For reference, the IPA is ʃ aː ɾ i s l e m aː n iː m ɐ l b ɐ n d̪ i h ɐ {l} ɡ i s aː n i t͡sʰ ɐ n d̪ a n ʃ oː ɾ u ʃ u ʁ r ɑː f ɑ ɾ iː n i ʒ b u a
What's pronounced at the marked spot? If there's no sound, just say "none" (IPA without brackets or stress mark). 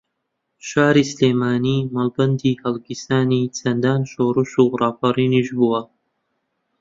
l